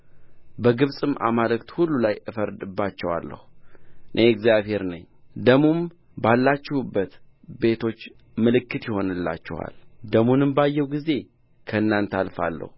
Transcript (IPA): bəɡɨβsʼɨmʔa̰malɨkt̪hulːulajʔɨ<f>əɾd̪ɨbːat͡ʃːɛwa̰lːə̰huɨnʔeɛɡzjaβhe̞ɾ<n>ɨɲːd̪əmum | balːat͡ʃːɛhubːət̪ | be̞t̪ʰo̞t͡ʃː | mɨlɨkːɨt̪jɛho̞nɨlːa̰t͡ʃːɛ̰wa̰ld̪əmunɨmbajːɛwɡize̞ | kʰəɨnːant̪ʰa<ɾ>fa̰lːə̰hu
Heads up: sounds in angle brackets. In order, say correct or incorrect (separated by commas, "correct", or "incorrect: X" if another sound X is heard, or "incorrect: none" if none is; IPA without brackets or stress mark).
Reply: correct, correct, incorrect: l